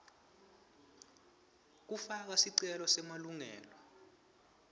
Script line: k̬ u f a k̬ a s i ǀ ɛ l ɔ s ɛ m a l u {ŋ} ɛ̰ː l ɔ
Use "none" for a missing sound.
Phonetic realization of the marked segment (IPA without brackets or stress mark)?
ŋ